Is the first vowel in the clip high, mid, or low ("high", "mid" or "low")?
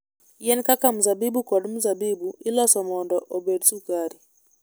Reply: mid